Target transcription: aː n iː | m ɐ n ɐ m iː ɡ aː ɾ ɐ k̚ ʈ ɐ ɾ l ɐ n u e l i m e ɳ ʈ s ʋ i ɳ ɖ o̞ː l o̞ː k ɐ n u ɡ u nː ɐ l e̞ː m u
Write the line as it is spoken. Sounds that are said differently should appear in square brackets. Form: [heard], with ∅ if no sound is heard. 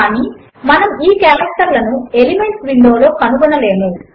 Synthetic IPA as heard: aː n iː | m ɐ n ɐ m iː [k] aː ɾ ɐ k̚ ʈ ɐ ɾ l ɐ n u e l i m e ɳ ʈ s ʋ i ɳ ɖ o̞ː l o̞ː k ɐ n u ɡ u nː ɐ l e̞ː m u